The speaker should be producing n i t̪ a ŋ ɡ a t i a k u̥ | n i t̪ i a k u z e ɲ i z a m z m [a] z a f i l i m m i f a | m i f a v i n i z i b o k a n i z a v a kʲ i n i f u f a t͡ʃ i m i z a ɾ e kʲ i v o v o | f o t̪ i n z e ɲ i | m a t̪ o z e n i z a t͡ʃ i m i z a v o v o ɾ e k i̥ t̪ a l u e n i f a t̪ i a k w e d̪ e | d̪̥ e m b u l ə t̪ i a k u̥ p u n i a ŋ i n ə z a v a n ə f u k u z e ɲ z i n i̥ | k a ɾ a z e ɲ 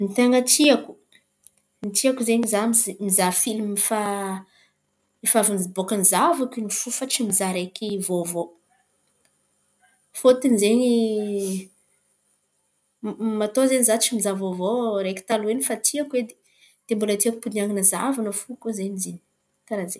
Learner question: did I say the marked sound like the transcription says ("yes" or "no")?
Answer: no